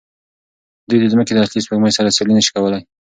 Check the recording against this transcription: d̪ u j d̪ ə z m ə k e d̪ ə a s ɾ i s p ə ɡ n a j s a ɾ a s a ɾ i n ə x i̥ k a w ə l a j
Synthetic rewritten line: d̪ u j d̪ ə z m ə k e d̪ ə a s l i s p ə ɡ m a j s a ɾ a s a l i n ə ʃ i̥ k a w ə l a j